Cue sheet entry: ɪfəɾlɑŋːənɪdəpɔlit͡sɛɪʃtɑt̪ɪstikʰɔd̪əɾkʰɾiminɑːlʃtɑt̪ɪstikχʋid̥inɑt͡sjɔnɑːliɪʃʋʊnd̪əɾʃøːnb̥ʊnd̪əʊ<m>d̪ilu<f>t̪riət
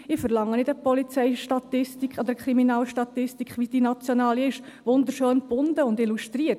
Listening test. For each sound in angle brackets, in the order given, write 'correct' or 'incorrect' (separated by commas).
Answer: incorrect, incorrect